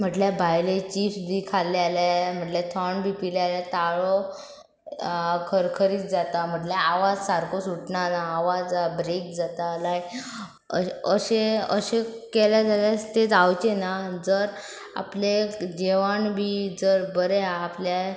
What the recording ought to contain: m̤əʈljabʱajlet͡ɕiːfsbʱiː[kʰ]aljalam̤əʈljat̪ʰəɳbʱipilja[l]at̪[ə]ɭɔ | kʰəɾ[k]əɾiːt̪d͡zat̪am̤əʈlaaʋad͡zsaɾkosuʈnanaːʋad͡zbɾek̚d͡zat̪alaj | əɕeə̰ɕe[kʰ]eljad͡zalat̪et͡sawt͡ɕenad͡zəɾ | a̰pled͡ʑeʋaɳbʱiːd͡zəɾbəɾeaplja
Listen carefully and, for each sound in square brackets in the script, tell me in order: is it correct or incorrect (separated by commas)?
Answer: correct, correct, incorrect, incorrect, incorrect